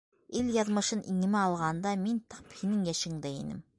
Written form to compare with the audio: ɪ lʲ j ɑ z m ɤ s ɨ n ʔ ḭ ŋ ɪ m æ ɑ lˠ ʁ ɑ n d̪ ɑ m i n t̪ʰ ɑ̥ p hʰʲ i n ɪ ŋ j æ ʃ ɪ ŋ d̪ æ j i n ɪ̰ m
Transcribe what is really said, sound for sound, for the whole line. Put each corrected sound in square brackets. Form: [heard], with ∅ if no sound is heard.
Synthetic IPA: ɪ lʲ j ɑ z m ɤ [ʃ] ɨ n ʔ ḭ ŋ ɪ m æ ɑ lˠ ʁ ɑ n d̪ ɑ m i n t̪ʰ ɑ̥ p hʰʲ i n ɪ ŋ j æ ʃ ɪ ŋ d̪ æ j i n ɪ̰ m